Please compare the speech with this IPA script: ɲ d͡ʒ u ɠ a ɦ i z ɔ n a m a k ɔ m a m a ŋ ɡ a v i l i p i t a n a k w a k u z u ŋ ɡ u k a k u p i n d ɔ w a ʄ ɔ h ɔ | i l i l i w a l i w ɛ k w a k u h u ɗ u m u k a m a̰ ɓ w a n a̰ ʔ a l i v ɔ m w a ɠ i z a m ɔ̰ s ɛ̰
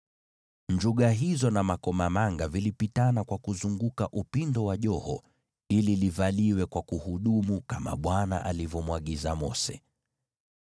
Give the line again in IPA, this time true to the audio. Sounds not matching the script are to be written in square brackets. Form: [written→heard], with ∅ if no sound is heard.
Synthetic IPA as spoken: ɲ d͡ʒ u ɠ a ɦ i z ɔ n a m a k ɔ m a m a ŋ ɡ a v i l i p i t a n a k w a k u z u ŋ ɡ u k a [k→ʔ] u p i n d ɔ w a ʄ ɔ h ɔ | i l i l i [w→v] a l i w ɛ k w a k u h u ɗ u m u k a m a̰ ɓ w a n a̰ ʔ a l i v ɔ m w a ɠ i z a m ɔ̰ s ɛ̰